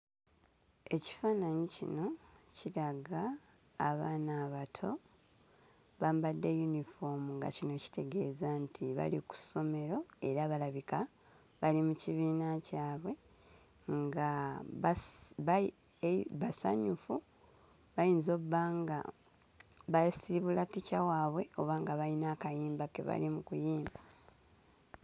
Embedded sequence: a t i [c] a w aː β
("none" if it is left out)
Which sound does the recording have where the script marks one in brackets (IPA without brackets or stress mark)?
c